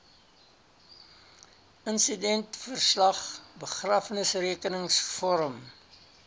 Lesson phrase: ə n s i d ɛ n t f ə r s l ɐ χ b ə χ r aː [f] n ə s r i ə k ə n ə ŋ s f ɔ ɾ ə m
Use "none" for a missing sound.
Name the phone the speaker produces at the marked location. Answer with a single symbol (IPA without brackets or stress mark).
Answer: f